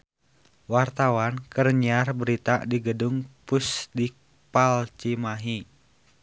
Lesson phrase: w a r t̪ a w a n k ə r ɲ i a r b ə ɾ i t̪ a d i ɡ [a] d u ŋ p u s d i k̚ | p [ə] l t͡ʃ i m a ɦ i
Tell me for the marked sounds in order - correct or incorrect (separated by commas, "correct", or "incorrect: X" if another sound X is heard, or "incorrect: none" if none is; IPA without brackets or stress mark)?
incorrect: ə, incorrect: a